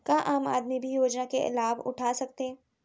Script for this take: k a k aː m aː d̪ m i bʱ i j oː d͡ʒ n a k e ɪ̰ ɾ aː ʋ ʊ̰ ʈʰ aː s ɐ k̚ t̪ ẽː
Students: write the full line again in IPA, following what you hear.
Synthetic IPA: k a ʔ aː m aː d̪ m i bʱ i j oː d͡ʒ n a k e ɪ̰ l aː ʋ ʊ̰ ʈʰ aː s ɐ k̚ t̪ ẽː